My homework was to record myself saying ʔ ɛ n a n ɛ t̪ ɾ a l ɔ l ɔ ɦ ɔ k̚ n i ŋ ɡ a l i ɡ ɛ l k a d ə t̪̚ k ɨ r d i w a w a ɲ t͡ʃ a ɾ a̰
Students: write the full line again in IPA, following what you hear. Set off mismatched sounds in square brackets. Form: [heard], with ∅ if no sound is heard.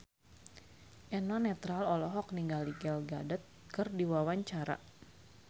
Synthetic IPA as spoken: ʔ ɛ n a n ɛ t̪ ɾ a l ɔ l ɔ ɦ ɔ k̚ n i ŋ ɡ a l i ɡ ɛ l [ɡ] a d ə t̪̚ k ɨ r d i w a w a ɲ t͡ʃ a ɾ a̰

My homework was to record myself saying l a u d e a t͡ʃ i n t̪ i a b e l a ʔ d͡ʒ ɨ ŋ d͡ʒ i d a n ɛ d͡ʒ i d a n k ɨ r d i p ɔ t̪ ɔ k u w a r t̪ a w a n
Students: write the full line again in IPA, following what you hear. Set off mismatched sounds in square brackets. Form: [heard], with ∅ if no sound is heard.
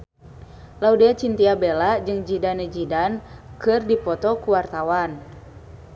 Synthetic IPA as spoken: l a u d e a t͡ʃ i n t̪ i a b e l a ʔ d͡ʒ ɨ ŋ d͡ʒ i d a n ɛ d͡ʒ i d a n k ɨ r d i p ɔ t̪ ɔ k u w a r t̪ a w a n

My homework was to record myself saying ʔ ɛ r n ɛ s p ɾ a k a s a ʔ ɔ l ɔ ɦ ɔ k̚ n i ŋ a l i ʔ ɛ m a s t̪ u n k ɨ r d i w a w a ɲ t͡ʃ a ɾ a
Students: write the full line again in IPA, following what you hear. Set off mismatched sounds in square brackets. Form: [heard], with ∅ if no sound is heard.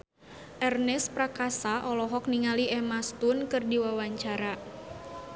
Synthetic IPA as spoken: ʔ ɛ r n ɛ s p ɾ a k a s a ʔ ɔ l ɔ ɦ ɔ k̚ n i ŋ a l i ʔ ɛ m a s t̪ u n k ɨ r d i w a w a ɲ t͡ʃ a ɾ a

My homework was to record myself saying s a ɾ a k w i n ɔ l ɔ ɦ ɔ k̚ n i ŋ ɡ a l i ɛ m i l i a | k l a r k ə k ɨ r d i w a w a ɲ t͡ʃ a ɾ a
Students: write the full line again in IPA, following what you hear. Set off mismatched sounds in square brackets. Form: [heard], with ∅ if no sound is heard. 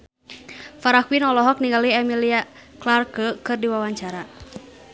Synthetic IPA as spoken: [f] a ɾ a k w i n ɔ l ɔ ɦ ɔ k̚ n i ŋ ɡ a l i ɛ m i l i a | k l a r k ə k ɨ r d i w a w a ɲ t͡ʃ a ɾ a

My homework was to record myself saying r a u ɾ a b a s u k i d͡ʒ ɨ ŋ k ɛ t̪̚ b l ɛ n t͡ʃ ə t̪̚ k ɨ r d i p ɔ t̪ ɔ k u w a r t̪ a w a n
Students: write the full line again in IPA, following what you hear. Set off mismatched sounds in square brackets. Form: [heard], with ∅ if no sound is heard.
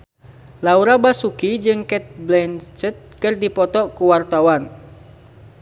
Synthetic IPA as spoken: [l] a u ɾ a b a s u k i d͡ʒ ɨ ŋ k ɛ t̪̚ b l ɛ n t͡ʃ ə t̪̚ k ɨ r d i p ɔ t̪ ɔ k u w a r t̪ a w a n

